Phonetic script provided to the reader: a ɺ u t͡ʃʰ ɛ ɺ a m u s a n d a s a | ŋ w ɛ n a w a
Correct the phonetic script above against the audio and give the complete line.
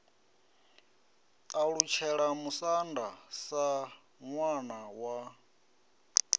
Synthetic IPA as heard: a ɺ u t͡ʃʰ ɛ ɺ a m u s a n d a s a | ŋ w a n a w a